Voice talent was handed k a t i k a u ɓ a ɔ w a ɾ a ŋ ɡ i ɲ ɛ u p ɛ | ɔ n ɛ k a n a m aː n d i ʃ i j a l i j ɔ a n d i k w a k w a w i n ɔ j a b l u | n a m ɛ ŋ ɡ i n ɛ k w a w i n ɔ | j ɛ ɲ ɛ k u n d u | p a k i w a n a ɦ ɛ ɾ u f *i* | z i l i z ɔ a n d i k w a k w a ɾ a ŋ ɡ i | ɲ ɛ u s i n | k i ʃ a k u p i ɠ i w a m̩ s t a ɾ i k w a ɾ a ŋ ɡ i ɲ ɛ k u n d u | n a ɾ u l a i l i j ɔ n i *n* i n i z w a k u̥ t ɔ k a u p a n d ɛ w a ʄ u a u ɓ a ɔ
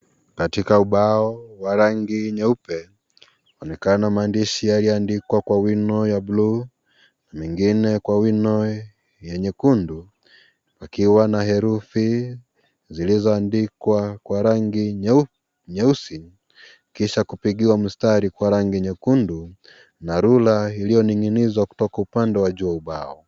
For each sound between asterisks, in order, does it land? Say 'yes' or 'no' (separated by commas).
yes, no